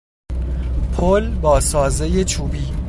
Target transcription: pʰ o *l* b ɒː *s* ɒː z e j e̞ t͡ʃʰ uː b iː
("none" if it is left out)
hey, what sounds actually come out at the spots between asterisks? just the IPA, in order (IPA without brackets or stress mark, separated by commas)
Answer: l, s